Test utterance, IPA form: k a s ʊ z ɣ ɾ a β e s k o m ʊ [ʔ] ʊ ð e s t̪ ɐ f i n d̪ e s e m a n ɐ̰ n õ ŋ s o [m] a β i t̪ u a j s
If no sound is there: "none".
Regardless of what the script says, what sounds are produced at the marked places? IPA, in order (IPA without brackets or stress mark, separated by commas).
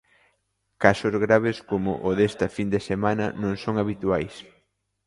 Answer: ʔ, ŋ